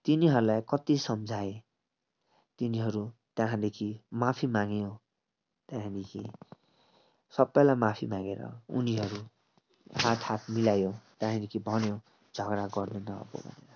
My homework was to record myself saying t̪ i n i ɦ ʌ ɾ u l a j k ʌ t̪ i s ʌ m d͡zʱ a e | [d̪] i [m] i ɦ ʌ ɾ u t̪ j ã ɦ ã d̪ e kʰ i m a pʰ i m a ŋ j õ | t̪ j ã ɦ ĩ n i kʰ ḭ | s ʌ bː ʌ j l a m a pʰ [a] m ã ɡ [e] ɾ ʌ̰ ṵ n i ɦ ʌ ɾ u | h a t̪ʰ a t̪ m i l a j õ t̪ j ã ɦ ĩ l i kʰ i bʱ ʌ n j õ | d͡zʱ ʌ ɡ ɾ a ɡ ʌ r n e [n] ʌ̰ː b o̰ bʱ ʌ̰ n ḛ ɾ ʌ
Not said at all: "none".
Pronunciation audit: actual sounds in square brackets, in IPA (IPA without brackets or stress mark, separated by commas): t̪, n, i, e, n